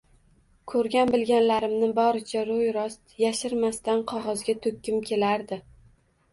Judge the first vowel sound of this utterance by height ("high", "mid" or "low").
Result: mid